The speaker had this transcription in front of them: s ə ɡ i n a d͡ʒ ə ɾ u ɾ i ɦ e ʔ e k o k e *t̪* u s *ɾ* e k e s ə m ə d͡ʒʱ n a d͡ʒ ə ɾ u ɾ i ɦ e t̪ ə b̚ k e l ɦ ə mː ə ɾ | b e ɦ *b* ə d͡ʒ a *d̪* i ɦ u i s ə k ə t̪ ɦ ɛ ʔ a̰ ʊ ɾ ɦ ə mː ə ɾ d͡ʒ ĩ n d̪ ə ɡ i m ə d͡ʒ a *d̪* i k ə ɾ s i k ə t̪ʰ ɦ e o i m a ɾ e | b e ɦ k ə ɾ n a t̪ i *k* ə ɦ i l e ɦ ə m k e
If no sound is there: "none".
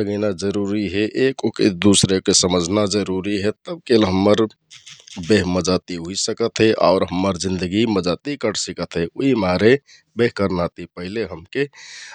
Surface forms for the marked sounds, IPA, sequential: d̪, ɾ, m, t̪, t̪, p

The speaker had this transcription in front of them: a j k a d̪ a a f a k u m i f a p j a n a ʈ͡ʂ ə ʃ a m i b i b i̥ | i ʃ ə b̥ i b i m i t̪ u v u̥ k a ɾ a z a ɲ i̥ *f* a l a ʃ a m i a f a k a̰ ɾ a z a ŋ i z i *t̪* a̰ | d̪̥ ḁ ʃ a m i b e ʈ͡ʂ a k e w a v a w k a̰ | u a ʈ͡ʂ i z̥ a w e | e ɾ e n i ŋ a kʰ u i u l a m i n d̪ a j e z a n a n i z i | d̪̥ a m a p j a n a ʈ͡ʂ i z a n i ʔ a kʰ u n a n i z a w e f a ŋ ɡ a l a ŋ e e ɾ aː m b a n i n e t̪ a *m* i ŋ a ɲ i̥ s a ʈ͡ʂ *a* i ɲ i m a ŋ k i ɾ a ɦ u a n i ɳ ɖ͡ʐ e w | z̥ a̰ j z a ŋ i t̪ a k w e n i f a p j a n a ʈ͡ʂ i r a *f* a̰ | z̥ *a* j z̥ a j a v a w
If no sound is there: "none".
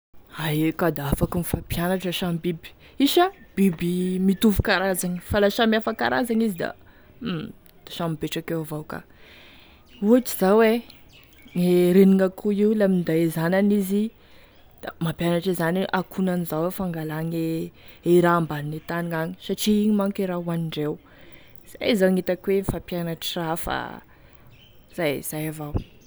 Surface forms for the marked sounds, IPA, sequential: f, d̪, n, i, f, a

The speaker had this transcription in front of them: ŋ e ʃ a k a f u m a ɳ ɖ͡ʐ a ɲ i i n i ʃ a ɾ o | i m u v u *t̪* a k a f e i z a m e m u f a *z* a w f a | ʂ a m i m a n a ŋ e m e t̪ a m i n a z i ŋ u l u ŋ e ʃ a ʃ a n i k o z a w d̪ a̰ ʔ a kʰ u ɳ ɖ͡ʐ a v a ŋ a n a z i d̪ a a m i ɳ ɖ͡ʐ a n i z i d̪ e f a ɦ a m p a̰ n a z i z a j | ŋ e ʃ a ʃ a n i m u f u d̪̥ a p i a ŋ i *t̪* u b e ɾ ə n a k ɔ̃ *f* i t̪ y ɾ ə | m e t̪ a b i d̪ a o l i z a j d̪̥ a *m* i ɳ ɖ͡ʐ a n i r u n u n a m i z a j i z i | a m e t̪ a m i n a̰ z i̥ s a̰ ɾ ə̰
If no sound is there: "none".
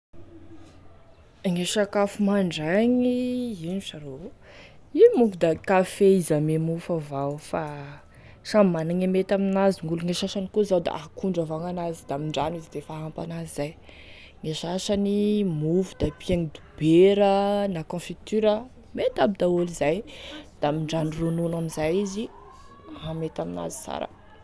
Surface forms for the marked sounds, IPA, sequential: d̪, v, d̪, f, m

